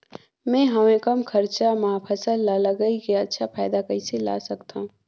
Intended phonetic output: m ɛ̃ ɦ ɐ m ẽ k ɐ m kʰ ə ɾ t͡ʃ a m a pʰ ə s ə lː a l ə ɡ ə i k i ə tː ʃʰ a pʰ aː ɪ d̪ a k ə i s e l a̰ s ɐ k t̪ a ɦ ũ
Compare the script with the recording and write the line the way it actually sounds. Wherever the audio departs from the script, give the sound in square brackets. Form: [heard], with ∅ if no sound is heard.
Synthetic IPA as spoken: m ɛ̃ ɦ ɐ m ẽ k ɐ m kʰ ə ɾ t͡ʃ a m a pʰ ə s ə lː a l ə ɡ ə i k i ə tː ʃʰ a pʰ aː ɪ d̪ a k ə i s e l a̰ s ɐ k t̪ a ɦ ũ